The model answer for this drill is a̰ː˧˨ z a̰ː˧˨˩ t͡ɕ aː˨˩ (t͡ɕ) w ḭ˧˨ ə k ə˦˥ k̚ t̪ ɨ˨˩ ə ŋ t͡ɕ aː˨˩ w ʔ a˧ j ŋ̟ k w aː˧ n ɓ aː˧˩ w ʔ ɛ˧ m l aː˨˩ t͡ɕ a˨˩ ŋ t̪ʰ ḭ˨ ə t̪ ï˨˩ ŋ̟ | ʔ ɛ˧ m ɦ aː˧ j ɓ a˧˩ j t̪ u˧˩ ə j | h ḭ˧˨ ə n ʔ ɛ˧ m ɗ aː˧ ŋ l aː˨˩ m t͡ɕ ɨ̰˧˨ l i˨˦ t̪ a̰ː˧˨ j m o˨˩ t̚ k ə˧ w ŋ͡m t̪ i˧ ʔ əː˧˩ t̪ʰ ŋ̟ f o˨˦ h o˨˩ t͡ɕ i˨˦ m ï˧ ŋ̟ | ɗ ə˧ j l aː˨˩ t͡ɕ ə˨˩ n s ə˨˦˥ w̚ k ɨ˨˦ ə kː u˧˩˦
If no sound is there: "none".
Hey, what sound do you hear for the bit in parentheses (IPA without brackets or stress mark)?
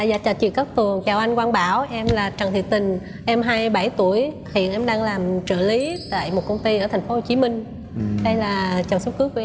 t͡ɕ